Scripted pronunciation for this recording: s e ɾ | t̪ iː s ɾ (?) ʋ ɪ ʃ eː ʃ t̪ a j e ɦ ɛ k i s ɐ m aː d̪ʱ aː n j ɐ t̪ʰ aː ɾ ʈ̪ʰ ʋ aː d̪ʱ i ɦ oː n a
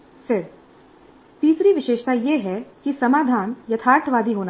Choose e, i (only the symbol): i